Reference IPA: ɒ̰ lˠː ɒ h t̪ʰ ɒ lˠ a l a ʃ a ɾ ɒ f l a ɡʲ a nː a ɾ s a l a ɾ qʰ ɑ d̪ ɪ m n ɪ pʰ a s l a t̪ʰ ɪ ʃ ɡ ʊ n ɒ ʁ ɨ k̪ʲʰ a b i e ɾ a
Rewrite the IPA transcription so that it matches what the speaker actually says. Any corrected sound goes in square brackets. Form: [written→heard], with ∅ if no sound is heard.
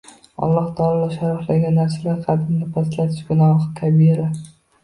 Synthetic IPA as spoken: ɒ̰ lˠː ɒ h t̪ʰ ɒ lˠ a l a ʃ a ɾ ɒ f l a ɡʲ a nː a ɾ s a l a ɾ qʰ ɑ d̪ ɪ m n ɪ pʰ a s l a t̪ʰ ɪ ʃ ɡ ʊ n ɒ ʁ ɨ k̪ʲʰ a b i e ɾ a